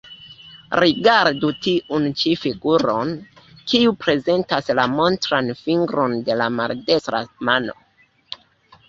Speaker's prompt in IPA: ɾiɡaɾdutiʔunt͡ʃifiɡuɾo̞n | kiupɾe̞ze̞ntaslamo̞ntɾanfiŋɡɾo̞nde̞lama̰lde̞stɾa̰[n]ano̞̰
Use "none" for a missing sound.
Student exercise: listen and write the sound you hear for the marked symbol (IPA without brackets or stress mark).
m